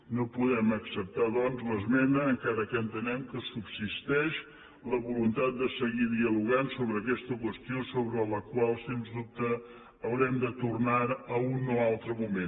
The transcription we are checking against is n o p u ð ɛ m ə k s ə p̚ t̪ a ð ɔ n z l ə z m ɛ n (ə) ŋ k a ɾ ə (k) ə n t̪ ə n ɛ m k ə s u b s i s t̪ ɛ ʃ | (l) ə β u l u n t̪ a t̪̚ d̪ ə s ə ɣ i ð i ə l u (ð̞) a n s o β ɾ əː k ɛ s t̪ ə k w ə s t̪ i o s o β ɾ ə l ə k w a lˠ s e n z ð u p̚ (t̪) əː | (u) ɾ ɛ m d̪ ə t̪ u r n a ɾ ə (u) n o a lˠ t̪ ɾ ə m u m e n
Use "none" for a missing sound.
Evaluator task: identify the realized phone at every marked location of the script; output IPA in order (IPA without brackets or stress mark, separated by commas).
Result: əː, k, l, ɣ̞, t̪, w, u